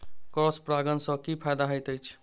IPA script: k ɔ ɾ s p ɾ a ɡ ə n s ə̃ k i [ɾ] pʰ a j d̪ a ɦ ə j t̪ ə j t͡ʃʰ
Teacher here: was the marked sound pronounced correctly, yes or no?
no